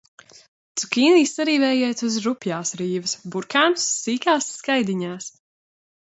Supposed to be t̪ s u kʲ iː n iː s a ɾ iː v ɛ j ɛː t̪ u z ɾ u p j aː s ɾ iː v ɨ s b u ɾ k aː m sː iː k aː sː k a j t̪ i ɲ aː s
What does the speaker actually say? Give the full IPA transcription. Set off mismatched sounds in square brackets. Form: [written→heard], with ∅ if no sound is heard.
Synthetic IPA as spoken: t̪ s u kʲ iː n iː s a ɾ iː v ɛ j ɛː t̪ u z ɾ u p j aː s ɾ iː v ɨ s b u ɾ k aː m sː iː k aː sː k a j [t̪→d̪] i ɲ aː s